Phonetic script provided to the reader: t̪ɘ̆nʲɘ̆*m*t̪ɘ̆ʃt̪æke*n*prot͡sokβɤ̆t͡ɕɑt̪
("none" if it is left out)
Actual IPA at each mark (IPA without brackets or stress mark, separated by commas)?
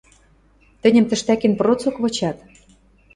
m, n